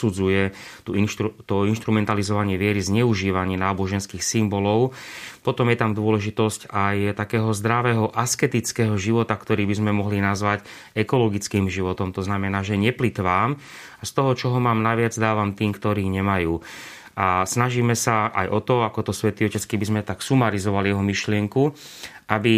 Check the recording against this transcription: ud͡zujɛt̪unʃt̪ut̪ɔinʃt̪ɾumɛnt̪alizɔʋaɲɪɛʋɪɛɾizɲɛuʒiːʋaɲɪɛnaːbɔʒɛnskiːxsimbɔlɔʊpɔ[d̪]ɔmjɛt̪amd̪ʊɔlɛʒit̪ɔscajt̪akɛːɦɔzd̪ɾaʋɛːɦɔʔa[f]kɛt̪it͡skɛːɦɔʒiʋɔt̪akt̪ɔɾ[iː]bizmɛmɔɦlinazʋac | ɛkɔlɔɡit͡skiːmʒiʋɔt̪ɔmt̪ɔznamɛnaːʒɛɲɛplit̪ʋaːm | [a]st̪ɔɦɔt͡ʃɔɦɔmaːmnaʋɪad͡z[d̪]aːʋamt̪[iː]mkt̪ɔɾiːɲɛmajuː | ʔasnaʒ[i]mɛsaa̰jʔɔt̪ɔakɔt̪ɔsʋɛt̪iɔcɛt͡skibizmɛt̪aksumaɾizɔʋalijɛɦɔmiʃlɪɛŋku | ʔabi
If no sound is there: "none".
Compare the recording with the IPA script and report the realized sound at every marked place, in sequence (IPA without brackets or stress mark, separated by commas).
t̪, s, iː, a, d̪, iː, iː